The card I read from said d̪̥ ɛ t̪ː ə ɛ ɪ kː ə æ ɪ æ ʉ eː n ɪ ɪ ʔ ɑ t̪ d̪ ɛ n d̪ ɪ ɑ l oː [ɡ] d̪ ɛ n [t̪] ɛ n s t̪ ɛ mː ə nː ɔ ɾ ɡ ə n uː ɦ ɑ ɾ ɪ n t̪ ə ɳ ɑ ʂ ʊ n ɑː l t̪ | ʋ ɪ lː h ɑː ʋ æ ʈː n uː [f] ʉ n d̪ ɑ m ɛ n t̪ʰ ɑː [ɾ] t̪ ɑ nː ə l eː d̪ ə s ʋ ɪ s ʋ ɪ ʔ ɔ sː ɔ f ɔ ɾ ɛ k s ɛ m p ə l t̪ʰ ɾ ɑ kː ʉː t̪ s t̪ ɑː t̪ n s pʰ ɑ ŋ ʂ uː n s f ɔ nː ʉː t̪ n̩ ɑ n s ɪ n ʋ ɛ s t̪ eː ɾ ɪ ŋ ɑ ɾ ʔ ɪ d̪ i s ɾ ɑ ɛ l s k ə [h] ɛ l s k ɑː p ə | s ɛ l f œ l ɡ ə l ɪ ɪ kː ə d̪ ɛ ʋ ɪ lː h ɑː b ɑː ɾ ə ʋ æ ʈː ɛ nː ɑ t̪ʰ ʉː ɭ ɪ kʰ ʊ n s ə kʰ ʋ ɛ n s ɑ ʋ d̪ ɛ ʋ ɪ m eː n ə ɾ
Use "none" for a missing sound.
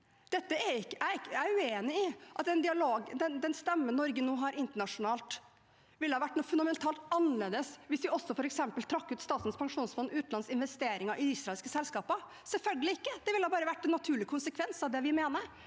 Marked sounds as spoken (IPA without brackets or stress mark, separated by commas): ɡ, d̪, f, l, s